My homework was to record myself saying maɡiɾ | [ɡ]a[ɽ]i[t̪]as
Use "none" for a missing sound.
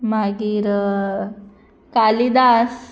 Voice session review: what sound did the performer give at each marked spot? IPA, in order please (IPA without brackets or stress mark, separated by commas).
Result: k, l, d̪